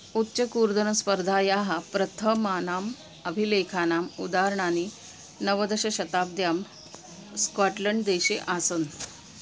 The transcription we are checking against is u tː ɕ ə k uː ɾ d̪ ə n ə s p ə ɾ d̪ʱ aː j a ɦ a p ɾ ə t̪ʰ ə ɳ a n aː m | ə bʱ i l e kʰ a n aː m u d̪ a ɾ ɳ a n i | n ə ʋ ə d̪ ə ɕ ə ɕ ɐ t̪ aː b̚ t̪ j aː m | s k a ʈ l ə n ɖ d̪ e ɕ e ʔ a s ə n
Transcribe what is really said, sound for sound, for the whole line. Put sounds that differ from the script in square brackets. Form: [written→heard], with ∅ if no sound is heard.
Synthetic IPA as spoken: u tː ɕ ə k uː ɾ d̪ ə n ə s p ə ɾ d̪ʱ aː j a ɦ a p ɾ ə t̪ʰ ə [ɳ→m] a n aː m | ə bʱ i l e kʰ a n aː m u d̪ a ɾ ɳ a n i | n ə ʋ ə d̪ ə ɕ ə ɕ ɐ t̪ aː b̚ [t̪→d̪] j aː m | s k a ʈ l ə [n→ɳ] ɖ d̪ e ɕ e ʔ a s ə n